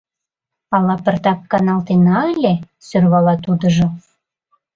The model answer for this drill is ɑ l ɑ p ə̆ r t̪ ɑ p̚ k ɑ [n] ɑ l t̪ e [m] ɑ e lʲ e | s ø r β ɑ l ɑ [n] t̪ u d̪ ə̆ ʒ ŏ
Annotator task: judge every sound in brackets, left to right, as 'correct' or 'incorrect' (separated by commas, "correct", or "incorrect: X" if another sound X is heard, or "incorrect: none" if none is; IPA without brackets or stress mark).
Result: correct, incorrect: n, incorrect: none